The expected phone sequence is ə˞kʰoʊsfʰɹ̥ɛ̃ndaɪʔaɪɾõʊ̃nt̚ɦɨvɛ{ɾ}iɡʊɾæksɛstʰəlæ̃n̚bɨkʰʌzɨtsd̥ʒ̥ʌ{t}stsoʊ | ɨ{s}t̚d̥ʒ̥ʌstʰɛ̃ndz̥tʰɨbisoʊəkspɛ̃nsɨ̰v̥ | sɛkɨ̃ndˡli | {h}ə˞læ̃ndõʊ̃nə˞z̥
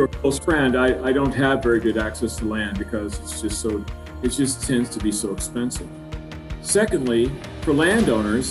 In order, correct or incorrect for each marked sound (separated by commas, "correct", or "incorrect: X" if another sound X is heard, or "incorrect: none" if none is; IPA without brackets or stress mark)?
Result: incorrect: ɹ, incorrect: none, incorrect: none, incorrect: f